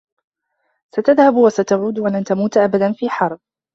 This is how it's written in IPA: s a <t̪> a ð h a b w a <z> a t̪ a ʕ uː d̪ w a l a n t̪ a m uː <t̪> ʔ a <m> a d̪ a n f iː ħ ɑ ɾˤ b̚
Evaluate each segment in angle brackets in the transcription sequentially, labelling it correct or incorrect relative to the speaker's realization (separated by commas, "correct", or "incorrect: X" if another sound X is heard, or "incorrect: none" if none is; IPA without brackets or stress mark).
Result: correct, incorrect: s, correct, incorrect: b